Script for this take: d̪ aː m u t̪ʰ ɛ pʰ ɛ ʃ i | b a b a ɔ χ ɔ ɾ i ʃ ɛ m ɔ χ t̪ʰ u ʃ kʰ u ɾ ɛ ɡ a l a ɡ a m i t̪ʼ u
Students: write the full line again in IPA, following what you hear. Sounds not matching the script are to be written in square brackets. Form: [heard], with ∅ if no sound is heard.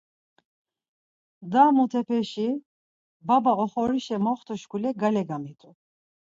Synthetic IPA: d̪ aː m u t̪ʰ ɛ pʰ ɛ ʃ i | b a b a ɔ χ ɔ ɾ i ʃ ɛ m ɔ χ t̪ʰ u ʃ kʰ u [l] ɛ ɡ a l [ɛ] ɡ a m i t̪ʼ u